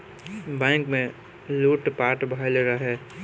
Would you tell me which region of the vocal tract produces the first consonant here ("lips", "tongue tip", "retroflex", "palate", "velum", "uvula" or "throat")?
lips